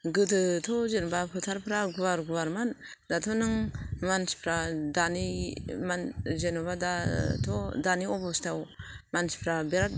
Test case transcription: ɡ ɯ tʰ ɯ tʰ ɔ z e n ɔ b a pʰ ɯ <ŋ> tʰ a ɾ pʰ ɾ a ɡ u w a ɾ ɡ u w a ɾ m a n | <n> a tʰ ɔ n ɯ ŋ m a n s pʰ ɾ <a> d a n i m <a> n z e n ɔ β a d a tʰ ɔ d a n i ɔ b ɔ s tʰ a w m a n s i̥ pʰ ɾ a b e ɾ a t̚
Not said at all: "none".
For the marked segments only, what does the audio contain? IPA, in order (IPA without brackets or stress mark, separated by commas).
none, d, a, a